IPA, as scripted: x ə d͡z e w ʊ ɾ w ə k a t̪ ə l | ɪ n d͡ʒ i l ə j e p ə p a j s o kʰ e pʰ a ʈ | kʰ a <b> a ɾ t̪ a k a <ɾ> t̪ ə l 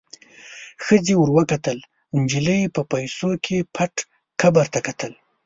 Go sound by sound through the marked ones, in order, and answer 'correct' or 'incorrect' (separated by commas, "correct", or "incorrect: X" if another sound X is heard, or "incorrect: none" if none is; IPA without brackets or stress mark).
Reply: correct, incorrect: none